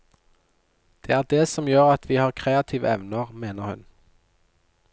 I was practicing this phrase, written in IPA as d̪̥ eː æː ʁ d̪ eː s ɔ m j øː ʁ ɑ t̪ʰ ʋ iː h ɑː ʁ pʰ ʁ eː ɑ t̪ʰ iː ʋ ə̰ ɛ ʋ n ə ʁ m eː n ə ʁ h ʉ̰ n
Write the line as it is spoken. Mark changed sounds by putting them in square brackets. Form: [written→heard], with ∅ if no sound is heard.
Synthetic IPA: d̪̥ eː æː ʁ d̪ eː s ɔ m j øː ʁ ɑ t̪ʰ ʋ iː h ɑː ʁ [pʰ→kʰ] ʁ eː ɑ t̪ʰ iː ʋ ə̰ ɛ ʋ n ə ʁ m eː n ə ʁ h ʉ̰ n